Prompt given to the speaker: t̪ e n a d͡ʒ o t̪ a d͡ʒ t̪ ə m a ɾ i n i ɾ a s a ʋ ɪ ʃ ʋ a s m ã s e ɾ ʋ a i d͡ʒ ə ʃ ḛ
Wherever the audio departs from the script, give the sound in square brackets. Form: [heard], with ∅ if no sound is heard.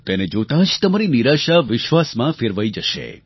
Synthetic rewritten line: t̪ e n [e] d͡ʒ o t̪ a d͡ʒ t̪ ə m a ɾ i n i ɾ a [ʃ] a ʋ ɪ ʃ ʋ a s m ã [f] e ɾ ʋ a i d͡ʒ ə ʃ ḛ